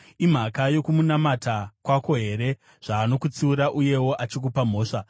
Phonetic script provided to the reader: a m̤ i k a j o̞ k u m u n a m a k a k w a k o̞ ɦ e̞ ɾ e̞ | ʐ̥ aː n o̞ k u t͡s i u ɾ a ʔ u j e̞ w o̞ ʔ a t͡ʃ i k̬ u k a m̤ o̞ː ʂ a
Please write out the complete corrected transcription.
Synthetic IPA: i m̤ a k a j o̞ k u m u n a m a t a k w a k o̞ ɦ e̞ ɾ e̞ | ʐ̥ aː n o̞ k u t͡s i u ɾ a ʔ u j e̞ w o̞ ʔ a t͡ʃ i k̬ u p a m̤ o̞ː ʂ a